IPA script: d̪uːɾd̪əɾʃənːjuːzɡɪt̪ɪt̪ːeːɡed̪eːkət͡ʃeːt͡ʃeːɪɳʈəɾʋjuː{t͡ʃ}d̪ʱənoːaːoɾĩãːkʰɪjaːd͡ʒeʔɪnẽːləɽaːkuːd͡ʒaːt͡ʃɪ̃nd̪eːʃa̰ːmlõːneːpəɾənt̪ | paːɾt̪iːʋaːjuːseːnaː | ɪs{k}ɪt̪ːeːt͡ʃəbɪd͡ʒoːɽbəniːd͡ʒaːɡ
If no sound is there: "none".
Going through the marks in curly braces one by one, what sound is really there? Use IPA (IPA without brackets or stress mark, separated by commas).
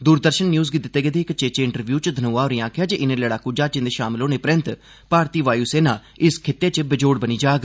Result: t͡ʃ, kʰ